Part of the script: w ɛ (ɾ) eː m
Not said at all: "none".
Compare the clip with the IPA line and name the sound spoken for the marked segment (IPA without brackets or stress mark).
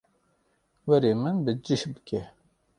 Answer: ɾ